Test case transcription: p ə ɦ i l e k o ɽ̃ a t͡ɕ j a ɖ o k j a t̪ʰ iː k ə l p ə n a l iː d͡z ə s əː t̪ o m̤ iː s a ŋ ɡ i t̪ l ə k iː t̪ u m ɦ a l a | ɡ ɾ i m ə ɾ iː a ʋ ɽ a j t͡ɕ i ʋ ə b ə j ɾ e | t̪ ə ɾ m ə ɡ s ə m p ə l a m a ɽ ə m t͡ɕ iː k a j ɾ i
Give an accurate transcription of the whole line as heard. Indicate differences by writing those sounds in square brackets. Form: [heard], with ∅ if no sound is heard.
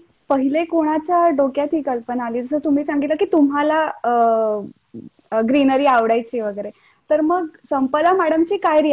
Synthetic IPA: p ə ɦ i l e k o ɽ̃ a t͡ɕ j a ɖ o k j a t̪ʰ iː k ə l p ə n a l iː d͡z ə s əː t̪ [u] m̤ iː s a ŋ ɡ i t̪ l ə k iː t̪ u m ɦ a l a | ɡ ɾ i [n] ə ɾ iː a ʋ ɽ a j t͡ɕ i ʋ ə [ɡ] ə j ɾ e | t̪ ə ɾ m ə ɡ s ə m p ə l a m a ɽ ə m t͡ɕ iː k a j ɾ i